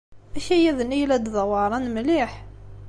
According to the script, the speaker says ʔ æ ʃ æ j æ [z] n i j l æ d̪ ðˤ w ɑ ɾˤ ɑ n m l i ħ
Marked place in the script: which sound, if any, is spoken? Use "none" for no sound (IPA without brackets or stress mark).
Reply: ð